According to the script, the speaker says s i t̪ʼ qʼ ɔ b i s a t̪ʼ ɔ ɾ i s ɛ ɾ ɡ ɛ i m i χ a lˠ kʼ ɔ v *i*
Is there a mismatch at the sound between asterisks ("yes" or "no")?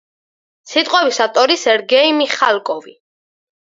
no